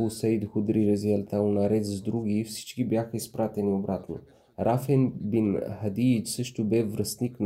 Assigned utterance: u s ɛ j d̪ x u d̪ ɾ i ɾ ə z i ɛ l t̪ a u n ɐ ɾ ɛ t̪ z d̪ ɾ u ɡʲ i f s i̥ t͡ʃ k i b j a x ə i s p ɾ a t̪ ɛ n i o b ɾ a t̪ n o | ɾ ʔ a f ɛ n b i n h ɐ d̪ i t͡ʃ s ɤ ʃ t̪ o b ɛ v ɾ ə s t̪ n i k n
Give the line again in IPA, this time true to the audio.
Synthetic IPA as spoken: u s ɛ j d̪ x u d̪ ɾ i ɾ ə z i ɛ l t̪ a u n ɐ ɾ ɛ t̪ z d̪ ɾ u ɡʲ i f s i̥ t͡ʃ k i b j a x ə i s p ɾ a t̪ ɛ n i o b ɾ a t̪ n o | ɾ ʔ a f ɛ n b i n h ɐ d̪ i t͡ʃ s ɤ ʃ t̪ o b ɛ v ɾ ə s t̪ n i k n